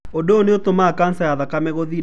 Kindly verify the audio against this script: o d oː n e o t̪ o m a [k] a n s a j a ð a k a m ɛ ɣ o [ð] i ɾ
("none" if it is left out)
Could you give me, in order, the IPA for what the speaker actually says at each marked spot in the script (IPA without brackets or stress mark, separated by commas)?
k, ð